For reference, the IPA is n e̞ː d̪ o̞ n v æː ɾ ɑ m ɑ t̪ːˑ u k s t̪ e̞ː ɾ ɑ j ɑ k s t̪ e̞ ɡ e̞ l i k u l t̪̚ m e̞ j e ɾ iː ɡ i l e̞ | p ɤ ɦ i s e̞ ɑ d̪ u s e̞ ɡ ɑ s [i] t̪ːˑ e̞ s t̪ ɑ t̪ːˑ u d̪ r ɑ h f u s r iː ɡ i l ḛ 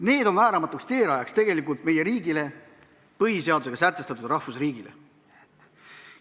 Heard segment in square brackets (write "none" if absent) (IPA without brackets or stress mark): æ